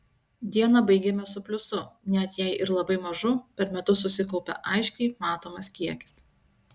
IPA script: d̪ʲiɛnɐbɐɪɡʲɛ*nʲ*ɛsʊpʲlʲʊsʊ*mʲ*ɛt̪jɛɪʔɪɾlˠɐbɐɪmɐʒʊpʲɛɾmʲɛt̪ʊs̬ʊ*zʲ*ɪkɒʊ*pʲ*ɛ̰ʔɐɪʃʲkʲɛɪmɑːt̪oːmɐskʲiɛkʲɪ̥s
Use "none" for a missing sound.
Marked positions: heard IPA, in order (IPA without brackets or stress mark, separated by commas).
mʲ, nʲ, sʲ, pʲ